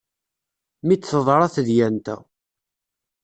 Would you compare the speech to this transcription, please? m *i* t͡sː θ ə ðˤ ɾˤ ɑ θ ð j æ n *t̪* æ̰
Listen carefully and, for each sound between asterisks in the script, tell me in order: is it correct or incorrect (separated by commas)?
correct, correct